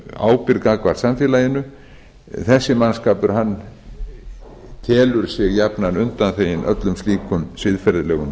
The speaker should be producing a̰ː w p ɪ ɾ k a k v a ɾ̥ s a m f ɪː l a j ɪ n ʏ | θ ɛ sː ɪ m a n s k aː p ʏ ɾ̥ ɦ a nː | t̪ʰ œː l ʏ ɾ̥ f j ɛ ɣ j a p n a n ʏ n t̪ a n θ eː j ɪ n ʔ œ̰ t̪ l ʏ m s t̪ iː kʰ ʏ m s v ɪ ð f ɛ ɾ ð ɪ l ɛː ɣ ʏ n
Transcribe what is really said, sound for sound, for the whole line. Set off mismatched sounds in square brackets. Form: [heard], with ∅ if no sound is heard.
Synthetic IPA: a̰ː w p ɪ ɾ k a k v a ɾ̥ s a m f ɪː l a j ɪ n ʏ | θ ɛ sː ɪ m a n s k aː p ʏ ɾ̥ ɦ a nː | t̪ʰ [ɛː] l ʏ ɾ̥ [s] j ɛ ɣ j a p n a n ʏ n t̪ a n θ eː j ɪ n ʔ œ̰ t̪ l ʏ m s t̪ iː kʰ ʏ m s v ɪ ð f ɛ ɾ ð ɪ l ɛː ɣ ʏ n